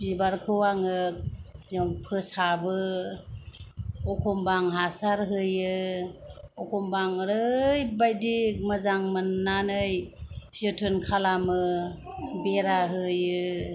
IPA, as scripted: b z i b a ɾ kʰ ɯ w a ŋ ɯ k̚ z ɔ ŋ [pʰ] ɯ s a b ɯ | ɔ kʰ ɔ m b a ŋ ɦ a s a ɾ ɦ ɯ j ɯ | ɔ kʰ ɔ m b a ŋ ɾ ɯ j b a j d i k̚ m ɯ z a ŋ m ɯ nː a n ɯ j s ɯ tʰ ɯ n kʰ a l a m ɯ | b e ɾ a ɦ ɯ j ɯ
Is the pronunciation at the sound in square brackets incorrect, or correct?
correct